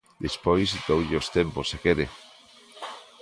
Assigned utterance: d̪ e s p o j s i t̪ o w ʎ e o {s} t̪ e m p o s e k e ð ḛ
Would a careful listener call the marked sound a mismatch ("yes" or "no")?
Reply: no